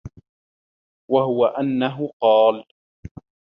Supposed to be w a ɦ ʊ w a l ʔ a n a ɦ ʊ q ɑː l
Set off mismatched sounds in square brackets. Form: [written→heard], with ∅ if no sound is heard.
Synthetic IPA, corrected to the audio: w a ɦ ʊ w a [l→∅] ʔ a [n→nː] a ɦ ʊ q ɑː l